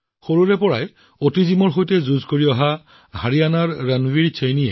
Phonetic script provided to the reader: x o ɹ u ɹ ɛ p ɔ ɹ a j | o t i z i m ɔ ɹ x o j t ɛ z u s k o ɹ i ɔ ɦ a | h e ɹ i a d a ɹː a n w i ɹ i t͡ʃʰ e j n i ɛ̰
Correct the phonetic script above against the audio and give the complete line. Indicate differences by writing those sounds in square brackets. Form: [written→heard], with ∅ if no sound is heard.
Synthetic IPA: x o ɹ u ɹ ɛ p ɔ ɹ a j | o t i z i m ɔ ɹ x o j t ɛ z u [s→z] k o ɹ i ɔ ɦ a | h [e→a] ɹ i a [d→n] a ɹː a n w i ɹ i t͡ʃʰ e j n i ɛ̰